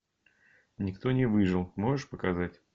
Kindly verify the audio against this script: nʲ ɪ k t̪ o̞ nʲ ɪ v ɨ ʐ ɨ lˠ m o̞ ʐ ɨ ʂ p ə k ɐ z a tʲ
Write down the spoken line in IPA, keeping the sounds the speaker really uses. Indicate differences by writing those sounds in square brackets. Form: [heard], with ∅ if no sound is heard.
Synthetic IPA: nʲ ɪ k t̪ o̞ nʲ ɪ v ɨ ʐ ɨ lˠ m o̞ ʐ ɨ ʂ p ə k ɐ z a tʲ